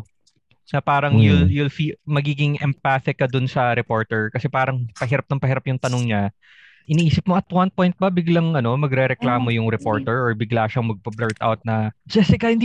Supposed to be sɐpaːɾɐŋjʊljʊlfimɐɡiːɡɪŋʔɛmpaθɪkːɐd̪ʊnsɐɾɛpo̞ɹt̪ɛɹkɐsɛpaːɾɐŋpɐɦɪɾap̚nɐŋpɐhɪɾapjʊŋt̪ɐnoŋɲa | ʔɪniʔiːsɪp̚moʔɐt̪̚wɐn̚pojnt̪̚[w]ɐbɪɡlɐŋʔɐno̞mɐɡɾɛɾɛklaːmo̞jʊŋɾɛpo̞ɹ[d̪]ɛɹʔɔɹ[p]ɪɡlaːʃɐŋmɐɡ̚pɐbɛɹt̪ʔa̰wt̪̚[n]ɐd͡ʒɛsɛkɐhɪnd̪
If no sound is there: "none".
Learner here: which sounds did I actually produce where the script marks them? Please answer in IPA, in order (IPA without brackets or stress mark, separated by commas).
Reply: b, t̪, b, n